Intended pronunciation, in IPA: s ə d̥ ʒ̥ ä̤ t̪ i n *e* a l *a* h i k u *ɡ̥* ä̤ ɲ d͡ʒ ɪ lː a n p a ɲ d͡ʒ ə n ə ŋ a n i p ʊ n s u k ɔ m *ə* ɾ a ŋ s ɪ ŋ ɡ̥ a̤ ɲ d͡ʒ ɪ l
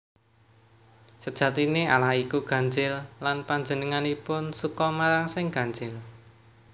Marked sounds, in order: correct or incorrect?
correct, correct, correct, incorrect

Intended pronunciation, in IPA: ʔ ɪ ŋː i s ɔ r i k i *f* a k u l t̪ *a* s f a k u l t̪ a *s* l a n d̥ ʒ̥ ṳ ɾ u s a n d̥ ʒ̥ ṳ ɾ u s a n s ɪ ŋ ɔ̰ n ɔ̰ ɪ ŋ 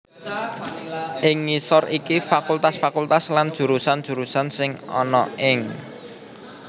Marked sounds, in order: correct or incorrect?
correct, correct, correct

